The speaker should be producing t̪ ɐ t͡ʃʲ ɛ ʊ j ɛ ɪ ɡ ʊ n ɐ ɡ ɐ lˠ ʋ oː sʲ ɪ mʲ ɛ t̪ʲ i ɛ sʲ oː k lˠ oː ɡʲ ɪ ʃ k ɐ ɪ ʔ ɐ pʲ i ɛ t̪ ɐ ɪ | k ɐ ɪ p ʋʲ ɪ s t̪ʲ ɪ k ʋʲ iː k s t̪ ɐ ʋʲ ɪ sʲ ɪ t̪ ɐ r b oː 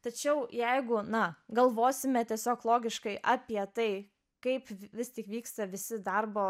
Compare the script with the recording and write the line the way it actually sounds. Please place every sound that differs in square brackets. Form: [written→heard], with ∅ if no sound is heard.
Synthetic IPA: t̪ ɐ t͡ʃʲ ɛ ʊ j ɛ ɪ ɡ ʊ n ɐ ɡ ɐ lˠ ʋ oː sʲ ɪ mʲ ɛ t̪ʲ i ɛ sʲ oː k lˠ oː ɡʲ ɪ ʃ k ɐ ɪ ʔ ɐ pʲ i ɛ t̪ ɐ ɪ | k ɐ ɪ p ʋʲ ɪ s t̪ʲ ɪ k ʋʲ iː k s t̪ ɐ ʋʲ ɪ sʲ ɪ [t̪→d̪] ɐ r b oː